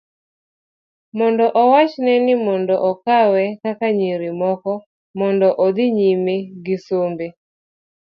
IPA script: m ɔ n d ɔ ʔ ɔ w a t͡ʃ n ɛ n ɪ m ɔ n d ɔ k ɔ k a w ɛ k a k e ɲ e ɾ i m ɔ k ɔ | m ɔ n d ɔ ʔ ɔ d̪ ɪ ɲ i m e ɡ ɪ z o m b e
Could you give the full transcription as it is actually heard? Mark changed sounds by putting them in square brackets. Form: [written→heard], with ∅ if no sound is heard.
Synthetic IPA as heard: m ɔ n d ɔ ʔ ɔ w a t͡ʃ n ɛ n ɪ m ɔ n d ɔ [k→ʔ] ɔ k a w ɛ k a k [e→a] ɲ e ɾ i m ɔ k ɔ | m ɔ n d ɔ ʔ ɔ d̪ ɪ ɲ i m e ɡ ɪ [z→s] o m b e

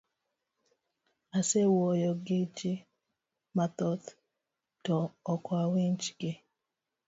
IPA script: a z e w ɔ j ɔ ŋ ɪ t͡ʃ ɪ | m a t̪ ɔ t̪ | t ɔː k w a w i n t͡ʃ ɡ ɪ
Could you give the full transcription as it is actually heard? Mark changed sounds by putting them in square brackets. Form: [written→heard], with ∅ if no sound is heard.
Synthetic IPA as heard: a [z→s] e w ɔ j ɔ [ŋ→ɡ] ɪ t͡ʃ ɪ | m a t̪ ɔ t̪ | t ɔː k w a w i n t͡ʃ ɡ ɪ

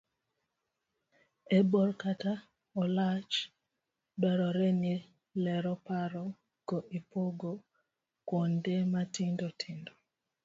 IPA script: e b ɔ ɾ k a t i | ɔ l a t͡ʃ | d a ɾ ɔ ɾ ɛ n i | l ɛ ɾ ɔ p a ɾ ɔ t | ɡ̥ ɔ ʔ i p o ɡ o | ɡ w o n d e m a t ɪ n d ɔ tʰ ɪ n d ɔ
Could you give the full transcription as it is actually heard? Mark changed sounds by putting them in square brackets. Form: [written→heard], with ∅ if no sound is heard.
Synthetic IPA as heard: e b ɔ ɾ k a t [i→a] | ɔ l a t͡ʃ | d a ɾ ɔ ɾ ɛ n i | l ɛ ɾ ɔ p a ɾ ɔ [t→∅] | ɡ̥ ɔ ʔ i p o ɡ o | [ɡ→k] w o n d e m a t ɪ n d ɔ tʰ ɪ n d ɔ

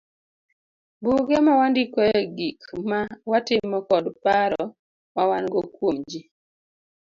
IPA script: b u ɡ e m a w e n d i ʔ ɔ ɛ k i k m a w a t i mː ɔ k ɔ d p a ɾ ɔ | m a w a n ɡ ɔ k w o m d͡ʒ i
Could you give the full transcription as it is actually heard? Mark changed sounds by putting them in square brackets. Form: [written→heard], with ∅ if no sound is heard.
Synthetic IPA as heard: b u ɡ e m a w [e→a] n d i [ʔ→k] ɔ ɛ [k→ɡ] i k m a w a t [i→ɪ] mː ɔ k ɔ d p a ɾ ɔ | m a w a n ɡ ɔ k w o m d͡ʒ i

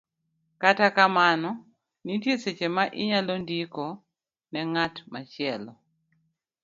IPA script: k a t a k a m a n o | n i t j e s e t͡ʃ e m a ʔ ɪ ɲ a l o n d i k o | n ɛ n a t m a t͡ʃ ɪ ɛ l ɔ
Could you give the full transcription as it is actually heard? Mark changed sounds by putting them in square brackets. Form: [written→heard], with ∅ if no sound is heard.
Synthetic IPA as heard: k a t a k a m a n [o→ɔ] | n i t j e s e t͡ʃ e m a ʔ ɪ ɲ a l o n d i k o | n ɛ [n→ŋ] a t m a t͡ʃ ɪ ɛ l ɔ

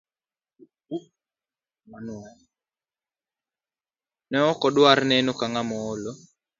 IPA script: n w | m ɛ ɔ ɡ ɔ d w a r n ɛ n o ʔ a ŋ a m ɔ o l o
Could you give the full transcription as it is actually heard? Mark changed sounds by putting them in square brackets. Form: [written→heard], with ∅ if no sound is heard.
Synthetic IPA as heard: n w | [m→n] ɛ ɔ [ɡ→k] ɔ d w a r n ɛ n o [ʔ→k] a ŋ a m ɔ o l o

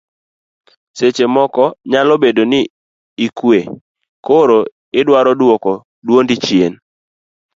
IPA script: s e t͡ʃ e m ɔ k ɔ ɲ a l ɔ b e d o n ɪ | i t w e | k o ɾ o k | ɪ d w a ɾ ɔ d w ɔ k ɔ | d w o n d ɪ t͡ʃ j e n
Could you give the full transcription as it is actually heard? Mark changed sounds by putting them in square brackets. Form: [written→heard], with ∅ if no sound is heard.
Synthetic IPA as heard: s e t͡ʃ e m ɔ k ɔ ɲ a l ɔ b e d o n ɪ | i [t→k] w e | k o ɾ o [k→∅] | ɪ d w a ɾ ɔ d w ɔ k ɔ | d w o n d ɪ t͡ʃ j e n

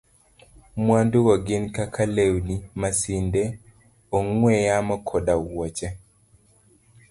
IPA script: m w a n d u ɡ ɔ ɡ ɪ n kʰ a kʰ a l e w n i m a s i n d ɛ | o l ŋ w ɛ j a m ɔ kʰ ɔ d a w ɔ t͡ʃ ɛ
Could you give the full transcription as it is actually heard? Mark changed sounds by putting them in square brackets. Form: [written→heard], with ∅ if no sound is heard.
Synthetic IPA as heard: m w a n d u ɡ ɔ ɡ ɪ n [kʰ→k] a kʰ a l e w n i m a s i n d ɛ | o [l→∅] ŋ w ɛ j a m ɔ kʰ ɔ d a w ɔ t͡ʃ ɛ

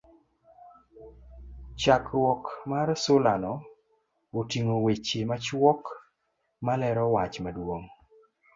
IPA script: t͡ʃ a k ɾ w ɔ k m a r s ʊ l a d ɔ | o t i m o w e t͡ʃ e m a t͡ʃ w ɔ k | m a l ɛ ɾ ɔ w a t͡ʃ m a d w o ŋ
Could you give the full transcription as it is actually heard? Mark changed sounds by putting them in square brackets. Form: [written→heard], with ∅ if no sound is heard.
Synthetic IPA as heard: t͡ʃ a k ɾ w ɔ k m a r s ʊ l a [d→n] ɔ | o t i [m→ŋ] o w e t͡ʃ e m a t͡ʃ w ɔ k | m a l ɛ ɾ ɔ w a t͡ʃ m a d w o ŋ

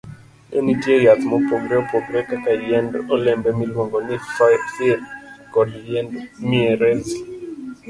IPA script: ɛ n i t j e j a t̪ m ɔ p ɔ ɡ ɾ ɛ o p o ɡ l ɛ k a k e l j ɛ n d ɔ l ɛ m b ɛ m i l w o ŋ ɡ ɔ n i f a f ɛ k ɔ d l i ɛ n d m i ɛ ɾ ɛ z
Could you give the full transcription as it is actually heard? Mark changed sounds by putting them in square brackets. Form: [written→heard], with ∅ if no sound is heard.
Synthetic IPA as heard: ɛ n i t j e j a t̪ m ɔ p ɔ ɡ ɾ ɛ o p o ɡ [l→ɾ] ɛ k a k [e→a] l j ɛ n d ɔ l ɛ m b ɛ m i l w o ŋ ɡ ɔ n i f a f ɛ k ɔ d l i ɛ n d m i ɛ ɾ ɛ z

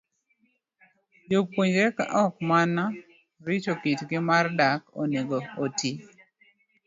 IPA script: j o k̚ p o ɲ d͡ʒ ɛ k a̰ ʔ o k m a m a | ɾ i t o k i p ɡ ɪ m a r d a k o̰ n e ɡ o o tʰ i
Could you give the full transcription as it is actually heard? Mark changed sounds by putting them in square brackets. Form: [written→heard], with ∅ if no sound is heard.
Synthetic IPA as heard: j o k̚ p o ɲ d͡ʒ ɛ k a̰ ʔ [o→ɔ] k m a [m→n] a | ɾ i [t→t͡ʃ] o k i [p→t] ɡ ɪ m a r d a k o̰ n e ɡ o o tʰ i

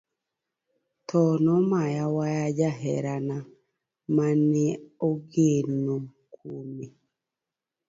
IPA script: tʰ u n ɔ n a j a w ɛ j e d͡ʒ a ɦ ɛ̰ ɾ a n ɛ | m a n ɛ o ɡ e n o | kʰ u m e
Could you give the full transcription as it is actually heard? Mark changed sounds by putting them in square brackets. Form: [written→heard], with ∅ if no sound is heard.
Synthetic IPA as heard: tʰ [u→ɔ] n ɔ [n→m] a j a w [ɛ→a] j [e→a] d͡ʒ a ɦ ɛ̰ ɾ a n [ɛ→a] | m a n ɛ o ɡ e n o | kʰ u m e

